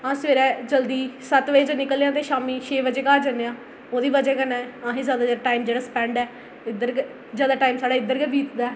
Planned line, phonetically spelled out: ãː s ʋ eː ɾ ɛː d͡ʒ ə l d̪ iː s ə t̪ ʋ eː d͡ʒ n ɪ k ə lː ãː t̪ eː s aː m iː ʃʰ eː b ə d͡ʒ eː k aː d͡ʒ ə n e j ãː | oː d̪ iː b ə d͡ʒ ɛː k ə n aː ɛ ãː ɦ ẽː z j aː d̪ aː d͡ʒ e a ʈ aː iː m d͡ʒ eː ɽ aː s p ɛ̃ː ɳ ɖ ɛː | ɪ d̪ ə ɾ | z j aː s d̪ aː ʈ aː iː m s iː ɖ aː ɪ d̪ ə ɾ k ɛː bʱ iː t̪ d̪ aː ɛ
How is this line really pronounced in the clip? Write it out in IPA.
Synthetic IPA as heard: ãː s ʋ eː ɾ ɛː d͡ʒ ə l d̪ iː s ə t̪ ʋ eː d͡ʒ n ɪ k ə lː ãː t̪ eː ʃ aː m iː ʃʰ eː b ə d͡ʒ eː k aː d͡ʒ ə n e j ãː | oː d̪ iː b ə d͡ʒ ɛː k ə n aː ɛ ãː ɦ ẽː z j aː d̪ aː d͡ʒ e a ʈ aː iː m d͡ʒ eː ɽ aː s p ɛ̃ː ɳ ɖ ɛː | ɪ d̪ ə ɾ | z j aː d̪ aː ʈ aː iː m s aː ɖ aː ɪ d̪ ə ɾ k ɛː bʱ iː t̪ d̪ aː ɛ